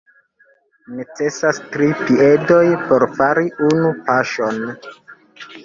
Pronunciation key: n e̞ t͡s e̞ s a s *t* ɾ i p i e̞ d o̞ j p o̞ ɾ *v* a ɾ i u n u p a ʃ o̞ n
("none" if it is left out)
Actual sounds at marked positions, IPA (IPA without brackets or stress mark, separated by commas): t, f